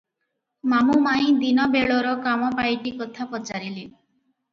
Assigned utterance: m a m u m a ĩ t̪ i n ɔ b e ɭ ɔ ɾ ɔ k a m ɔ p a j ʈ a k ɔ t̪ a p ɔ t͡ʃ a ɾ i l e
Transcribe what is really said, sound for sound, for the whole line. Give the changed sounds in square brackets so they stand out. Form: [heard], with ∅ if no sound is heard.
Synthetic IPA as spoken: m a m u m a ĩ [d̪] i n ɔ b e ɭ ɔ ɾ ɔ k a m ɔ p a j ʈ [i] k ɔ [t̪ʰ] a p ɔ t͡ʃ a ɾ i l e

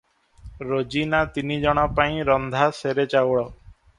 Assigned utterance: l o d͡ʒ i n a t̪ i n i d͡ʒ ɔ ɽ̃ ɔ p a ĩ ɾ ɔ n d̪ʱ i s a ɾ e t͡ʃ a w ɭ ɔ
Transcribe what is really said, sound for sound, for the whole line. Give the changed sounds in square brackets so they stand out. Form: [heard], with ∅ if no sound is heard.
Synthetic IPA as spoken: [ɾ] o d͡ʒ i n a t̪ i n i d͡ʒ ɔ ɽ̃ ɔ p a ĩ ɾ ɔ n d̪ʱ [a] s [e] ɾ e t͡ʃ a w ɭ ɔ

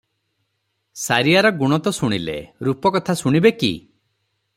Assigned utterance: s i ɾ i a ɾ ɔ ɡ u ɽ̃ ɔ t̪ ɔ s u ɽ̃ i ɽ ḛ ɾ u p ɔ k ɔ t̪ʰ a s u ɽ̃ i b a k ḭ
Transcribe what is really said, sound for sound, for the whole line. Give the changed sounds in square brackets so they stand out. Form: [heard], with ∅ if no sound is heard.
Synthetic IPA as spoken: s [a] ɾ i a ɾ ɔ ɡ u ɽ̃ ɔ t̪ ɔ s u ɽ̃ i [l] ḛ ɾ u p ɔ k ɔ t̪ʰ a s u ɽ̃ i b [e] k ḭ

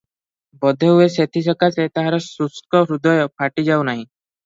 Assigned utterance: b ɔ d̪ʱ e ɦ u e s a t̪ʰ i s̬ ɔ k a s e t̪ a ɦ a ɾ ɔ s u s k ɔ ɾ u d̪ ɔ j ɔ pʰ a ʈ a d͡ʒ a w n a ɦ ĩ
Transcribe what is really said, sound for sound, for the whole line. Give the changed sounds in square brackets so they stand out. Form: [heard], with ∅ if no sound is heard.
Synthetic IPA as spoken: b ɔ d̪ʱ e ɦ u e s [e] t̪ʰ i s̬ ɔ k a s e t̪ a ɦ a ɾ ɔ s u s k ɔ ɾ u d̪ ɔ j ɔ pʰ a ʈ [i] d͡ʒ a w n a ɦ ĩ

